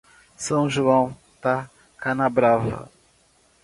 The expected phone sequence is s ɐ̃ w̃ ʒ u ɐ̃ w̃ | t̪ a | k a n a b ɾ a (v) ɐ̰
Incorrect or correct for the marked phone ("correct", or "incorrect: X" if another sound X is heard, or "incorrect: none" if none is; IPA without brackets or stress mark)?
correct